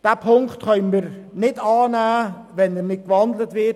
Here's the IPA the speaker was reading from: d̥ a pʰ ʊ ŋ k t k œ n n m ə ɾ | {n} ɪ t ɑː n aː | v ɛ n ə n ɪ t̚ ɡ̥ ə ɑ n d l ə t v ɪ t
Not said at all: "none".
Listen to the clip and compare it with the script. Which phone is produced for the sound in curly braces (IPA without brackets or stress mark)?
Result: n